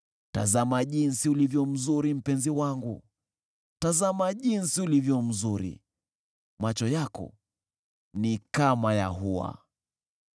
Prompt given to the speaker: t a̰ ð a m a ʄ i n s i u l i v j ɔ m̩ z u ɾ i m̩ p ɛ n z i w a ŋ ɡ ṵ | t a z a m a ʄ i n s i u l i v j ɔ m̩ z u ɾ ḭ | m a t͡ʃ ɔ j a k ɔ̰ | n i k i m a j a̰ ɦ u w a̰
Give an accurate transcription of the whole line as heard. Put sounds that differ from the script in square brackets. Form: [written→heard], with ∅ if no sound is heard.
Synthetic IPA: t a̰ [ð→z] a m a ʄ i n s i u l i v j ɔ m̩ z u ɾ i m̩ p ɛ n z i w a ŋ ɡ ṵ | t a z a m a ʄ i n s i u l i v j ɔ m̩ z u ɾ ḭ | m a t͡ʃ ɔ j a k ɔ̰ | n i k [i→a] m a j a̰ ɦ u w a̰